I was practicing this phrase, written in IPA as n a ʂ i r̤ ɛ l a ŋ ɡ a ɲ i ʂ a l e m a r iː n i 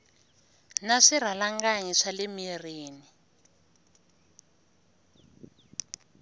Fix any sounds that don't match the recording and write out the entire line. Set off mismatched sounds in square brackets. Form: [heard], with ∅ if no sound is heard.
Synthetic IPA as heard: n a ʂ i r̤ [a] l a ŋ ɡ a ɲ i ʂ a l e m [i] r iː n i